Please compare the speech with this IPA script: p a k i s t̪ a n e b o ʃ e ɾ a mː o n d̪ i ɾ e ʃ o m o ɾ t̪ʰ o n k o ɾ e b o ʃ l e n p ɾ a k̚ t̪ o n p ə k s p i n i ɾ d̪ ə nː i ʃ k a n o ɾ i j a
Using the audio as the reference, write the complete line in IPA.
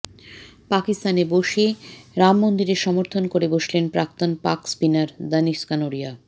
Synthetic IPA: p a k i s t̪ a n e b o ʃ e ɾ a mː o n d̪ i ɾ e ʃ ɔ m o ɾ t̪ʰ o n k o ɾ e b o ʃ l e n p ɾ a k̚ t̪ o n p a k s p i n a ɾ d̪ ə n i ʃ k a n o ɾ i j a